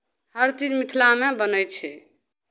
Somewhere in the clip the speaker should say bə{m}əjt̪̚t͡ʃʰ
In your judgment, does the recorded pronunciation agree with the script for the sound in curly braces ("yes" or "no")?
no